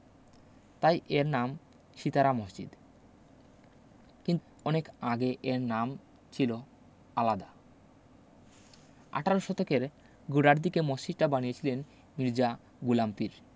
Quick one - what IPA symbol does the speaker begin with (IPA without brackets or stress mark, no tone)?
t̪